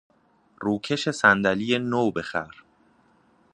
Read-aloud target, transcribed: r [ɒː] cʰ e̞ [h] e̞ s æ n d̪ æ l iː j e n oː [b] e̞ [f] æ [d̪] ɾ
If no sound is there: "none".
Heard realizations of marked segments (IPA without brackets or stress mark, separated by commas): uː, ʃ, b, x, none